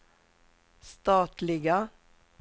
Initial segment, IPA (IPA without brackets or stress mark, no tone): s